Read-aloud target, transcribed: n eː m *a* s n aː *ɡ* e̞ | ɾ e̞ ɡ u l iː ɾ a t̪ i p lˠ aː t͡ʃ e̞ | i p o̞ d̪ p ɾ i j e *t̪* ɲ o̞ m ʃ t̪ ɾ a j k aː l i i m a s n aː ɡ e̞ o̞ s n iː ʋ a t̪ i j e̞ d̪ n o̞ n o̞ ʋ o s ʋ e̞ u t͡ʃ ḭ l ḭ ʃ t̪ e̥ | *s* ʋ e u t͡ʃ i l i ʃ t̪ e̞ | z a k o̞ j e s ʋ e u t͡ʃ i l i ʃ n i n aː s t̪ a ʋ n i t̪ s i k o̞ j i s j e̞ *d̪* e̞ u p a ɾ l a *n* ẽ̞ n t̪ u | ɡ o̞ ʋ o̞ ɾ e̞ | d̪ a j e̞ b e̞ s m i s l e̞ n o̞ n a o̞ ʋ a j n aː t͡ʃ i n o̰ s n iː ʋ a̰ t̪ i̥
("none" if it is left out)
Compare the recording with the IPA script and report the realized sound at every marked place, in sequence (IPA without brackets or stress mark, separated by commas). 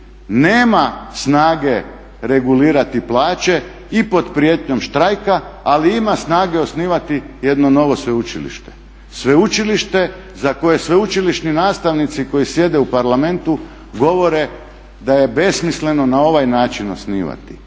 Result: a, ɡ, t̪, s, d̪, m